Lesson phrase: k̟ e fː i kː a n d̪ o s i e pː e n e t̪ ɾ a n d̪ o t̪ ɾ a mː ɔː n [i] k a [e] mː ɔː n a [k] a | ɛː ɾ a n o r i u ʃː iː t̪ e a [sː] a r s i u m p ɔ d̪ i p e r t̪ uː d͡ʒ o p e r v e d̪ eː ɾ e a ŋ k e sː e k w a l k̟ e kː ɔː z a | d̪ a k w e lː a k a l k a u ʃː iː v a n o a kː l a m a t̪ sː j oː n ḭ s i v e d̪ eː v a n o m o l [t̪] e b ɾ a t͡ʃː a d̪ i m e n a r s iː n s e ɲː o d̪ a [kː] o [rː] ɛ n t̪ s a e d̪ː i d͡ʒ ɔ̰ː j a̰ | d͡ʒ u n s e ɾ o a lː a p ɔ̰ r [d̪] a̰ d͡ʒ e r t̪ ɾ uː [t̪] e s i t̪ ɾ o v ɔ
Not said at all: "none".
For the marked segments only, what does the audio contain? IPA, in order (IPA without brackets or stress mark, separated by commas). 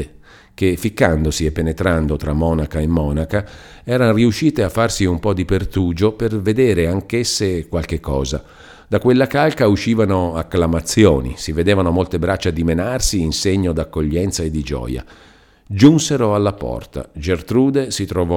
a, e, k, fː, t̪, kː, ʎː, t̪, d̪